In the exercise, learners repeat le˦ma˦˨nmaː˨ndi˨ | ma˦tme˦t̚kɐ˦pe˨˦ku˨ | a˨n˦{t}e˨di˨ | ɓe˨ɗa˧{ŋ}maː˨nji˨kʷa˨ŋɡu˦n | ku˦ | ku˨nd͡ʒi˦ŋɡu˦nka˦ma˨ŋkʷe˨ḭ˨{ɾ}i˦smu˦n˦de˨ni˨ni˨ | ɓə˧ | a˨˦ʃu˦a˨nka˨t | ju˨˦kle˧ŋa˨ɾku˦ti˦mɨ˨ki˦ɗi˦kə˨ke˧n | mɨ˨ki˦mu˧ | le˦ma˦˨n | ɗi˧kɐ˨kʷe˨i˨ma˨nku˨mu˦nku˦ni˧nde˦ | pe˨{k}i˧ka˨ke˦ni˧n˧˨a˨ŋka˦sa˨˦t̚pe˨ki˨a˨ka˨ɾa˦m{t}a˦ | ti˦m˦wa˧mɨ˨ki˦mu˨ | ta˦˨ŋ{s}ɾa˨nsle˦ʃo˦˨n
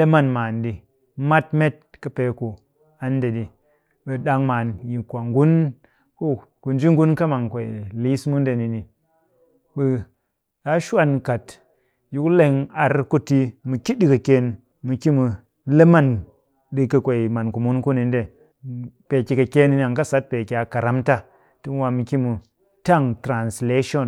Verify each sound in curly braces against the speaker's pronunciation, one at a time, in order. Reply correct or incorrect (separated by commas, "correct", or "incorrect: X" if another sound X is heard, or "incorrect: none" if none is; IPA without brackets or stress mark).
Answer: incorrect: d, correct, incorrect: l, correct, correct, incorrect: t